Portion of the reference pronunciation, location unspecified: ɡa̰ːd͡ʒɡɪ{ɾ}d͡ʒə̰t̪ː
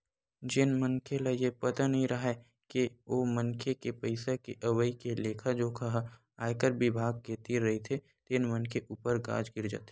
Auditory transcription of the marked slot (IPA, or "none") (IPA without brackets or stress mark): ɾ